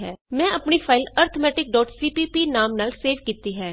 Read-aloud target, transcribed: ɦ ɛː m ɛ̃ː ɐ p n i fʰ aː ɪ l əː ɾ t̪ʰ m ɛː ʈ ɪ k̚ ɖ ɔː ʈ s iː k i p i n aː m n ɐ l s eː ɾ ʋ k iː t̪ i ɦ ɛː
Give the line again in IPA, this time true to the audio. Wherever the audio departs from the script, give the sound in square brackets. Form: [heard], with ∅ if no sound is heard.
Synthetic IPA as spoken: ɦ ɛː m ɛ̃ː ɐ p n i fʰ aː ɪ l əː ɾ t̪ʰ m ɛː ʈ ɪ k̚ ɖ ɔː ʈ s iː [p] i p i n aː m n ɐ l s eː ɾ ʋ k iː t̪ i ɦ ɛː